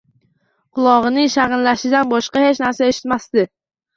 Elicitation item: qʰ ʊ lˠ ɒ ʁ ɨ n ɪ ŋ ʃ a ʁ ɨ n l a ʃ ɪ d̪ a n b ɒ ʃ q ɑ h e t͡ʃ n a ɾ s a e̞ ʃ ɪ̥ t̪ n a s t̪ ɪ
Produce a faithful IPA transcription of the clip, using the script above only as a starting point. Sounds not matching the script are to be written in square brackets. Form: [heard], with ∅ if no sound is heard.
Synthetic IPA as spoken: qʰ ʊ lˠ ɒ ʁ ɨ n ɪ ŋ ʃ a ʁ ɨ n l a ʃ ɪ d̪ a n b ɒ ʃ q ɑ h e t͡ʃ n a ɾ s a e̞ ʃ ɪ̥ t̪ [m] a s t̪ ɪ